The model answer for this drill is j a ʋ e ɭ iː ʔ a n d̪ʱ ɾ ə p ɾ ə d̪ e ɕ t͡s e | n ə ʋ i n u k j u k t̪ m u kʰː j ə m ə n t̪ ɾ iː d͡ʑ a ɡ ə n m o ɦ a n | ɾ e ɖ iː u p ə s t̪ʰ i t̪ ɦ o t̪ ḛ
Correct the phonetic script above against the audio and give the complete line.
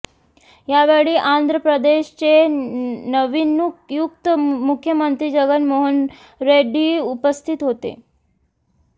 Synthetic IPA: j a ʋ e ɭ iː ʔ a n d̪ʱ ɾ ə p ɾ ə d̪ e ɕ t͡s e | n ə ʋ i n u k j u k t̪ m u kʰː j ə m ə n t̪ ɾ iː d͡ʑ ə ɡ ə n m o ɦ ə n | ɾ e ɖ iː u p ə s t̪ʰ i t̪ ɦ o t̪ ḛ